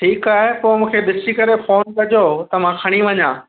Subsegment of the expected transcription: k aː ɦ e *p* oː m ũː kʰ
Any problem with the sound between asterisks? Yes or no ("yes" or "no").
no